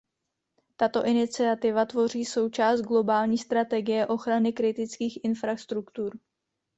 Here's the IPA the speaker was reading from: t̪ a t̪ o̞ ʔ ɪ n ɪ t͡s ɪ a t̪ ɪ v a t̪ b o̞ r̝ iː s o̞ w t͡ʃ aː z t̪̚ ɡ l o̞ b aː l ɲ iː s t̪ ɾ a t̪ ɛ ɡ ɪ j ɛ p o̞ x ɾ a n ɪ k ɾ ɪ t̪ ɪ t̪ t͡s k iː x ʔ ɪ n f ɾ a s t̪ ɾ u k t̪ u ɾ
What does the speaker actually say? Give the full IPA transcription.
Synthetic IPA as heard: t̪ a t̪ o̞ ʔ ɪ n ɪ t͡s ɪ a t̪ ɪ v a t̪ v o̞ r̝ iː s o̞ w t͡ʃ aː s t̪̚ ɡ l o̞ b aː l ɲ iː s t̪ ɾ a t̪ ɛ ɡ ɪ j ɛ ʔ o̞ x ɾ a n ɪ k ɾ ɪ t̪ ɪ t͡s k iː x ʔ ɪ n f ɾ a s t̪ ɾ u k t̪ u ɾ